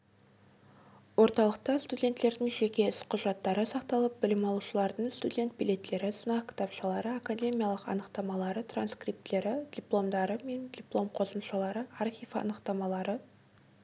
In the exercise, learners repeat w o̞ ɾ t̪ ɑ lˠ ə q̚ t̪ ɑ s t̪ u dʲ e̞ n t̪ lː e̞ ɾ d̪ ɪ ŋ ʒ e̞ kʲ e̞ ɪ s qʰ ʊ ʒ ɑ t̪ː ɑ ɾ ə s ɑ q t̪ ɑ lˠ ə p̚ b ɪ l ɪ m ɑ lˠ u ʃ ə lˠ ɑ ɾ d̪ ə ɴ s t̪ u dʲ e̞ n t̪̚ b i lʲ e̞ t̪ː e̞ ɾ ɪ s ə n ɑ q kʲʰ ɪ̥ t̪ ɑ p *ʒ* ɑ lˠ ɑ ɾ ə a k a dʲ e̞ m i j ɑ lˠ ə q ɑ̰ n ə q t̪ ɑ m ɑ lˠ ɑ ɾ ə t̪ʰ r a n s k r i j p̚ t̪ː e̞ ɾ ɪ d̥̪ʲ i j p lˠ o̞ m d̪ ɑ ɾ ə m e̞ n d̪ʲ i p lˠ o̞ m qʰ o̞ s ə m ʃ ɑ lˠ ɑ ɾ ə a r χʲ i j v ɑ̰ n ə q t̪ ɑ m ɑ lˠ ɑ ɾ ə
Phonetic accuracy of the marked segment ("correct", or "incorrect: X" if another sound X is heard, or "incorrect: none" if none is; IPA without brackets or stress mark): incorrect: ʃ